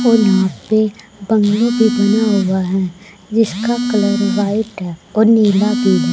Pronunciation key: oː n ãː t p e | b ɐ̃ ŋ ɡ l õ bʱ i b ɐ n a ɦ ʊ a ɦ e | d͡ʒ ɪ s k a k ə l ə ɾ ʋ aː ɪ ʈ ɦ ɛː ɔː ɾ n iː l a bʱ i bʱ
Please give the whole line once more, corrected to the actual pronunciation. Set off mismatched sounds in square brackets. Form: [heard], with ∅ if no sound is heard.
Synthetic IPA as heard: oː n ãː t p e | b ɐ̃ ŋ ɡ l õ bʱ i b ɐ n a ɦ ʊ a ɦ [ɛ] | d͡ʒ ɪ s k a k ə l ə ɾ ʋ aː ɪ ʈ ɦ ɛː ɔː ɾ n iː l a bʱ i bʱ